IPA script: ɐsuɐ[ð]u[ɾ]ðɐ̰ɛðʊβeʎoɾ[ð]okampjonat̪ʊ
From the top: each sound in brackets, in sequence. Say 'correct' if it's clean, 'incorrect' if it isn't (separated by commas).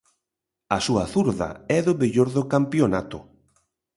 incorrect, correct, correct